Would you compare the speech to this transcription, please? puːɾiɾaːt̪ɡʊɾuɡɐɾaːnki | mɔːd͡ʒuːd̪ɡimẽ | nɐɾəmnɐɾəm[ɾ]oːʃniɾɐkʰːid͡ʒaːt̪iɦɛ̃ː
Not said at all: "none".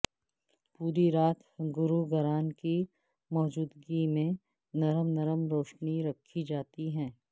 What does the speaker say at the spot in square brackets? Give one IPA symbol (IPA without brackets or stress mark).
ɾ